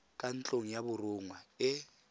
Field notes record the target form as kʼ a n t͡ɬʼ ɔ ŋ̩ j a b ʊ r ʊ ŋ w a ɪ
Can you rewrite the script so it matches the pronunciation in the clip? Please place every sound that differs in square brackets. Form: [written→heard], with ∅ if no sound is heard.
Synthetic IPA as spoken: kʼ a n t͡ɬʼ [ɔ→o] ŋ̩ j a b ʊ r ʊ ŋ w a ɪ